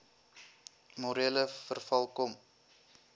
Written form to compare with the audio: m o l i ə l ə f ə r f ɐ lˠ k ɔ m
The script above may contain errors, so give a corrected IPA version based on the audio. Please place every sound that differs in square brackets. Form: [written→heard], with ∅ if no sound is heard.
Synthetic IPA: m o [l→ɾ] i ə l ə f ə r f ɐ lˠ k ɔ m